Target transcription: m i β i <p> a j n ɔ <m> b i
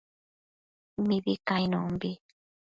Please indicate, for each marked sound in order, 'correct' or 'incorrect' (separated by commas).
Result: incorrect, correct